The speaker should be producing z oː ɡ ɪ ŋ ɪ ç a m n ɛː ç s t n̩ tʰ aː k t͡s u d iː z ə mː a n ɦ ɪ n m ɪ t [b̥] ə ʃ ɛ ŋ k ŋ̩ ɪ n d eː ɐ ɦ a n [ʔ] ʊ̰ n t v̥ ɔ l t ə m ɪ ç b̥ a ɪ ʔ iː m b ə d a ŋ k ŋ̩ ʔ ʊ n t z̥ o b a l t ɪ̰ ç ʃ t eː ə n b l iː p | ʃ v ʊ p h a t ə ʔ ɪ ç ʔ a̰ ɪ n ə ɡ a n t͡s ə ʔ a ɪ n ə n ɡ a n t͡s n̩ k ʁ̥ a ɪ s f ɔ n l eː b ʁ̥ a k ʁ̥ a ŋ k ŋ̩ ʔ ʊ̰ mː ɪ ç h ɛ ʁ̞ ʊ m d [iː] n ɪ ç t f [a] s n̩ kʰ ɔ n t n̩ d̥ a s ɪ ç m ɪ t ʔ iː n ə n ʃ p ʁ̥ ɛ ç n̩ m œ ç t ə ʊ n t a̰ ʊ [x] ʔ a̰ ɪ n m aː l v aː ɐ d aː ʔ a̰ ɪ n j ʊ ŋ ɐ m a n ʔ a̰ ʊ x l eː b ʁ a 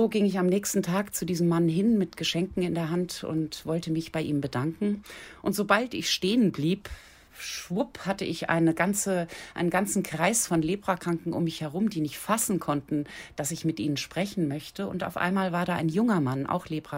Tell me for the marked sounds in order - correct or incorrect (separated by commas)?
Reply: incorrect, incorrect, correct, correct, incorrect